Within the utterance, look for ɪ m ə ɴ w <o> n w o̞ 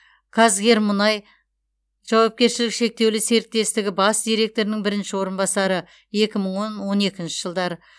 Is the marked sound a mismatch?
no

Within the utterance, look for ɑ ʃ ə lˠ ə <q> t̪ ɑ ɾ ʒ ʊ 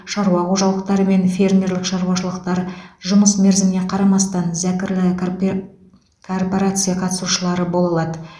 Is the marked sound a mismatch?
no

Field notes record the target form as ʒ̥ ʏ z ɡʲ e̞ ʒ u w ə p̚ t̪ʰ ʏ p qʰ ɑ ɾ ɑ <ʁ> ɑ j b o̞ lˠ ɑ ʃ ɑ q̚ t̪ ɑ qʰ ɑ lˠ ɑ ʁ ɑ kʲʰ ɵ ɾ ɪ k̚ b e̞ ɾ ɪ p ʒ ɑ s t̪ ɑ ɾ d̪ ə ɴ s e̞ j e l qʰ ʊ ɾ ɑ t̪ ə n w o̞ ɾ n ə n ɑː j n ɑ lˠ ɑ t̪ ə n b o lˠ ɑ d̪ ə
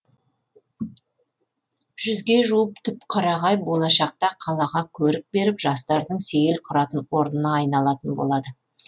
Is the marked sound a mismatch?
no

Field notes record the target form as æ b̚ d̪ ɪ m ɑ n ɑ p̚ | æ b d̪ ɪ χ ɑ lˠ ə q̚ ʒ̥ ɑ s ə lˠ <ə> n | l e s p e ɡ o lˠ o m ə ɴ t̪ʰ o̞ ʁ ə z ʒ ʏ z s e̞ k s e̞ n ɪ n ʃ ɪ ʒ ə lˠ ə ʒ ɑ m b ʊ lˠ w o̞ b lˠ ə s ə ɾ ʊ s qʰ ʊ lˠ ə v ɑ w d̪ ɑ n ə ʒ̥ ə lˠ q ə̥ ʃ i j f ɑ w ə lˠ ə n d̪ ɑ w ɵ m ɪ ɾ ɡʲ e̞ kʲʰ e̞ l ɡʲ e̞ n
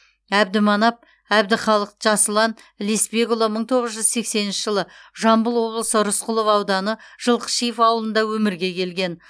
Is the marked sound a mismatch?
yes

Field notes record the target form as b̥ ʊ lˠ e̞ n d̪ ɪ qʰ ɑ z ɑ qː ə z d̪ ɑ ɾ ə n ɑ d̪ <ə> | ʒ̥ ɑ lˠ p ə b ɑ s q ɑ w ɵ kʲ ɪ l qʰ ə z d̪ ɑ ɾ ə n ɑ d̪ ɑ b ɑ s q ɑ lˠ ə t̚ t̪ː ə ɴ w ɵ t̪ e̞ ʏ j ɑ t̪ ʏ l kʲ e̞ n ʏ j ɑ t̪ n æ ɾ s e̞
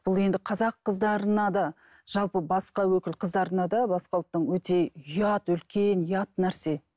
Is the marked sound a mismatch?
yes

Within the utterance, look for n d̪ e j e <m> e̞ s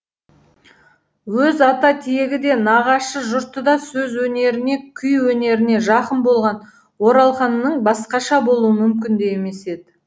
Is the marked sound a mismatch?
no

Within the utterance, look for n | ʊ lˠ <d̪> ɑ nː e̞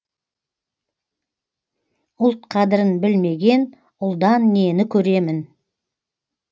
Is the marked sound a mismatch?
no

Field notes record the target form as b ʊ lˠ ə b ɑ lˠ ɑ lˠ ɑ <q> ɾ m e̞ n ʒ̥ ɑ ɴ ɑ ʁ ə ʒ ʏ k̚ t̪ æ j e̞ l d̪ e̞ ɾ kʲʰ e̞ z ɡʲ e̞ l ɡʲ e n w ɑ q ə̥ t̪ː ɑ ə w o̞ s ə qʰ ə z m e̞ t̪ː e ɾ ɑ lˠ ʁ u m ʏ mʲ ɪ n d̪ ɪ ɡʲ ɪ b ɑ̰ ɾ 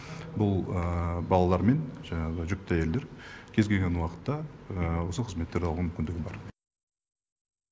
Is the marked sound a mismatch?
yes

